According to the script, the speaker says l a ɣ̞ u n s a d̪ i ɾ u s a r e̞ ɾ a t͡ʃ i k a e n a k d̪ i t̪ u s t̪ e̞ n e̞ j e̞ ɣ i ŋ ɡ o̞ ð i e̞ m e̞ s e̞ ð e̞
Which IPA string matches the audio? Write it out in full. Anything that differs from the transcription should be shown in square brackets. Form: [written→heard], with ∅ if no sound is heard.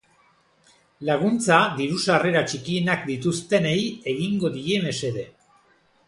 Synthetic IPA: l a ɣ̞ u n [s→t͡s] a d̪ i ɾ u s a r e̞ ɾ a t͡ʃ i k [a→i] e n a k d̪ i t̪ u s t̪ e̞ n e̞ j e̞ ɣ i ŋ ɡ o̞ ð i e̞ m e̞ s e̞ ð e̞

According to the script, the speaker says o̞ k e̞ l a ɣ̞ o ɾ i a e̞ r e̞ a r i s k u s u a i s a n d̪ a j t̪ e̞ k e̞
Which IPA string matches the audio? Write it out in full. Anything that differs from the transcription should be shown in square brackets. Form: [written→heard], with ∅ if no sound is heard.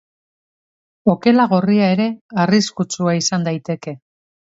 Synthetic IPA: o̞ k e̞ l a ɣ̞ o [ɾ→r] i a e̞ [r→ɾ] e̞ a r i s k u [s→t͡s] u a i s a n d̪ a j t̪ e̞ k e̞

